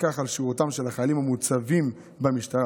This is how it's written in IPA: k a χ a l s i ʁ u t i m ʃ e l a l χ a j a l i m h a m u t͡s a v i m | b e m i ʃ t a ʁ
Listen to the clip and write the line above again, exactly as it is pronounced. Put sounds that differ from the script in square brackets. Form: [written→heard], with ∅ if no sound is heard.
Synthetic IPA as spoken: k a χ a l [s→ʃ] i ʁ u t [i→a] m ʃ e l a [l→∅] χ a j a l i m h a m u t͡s a v i m | b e m i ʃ t a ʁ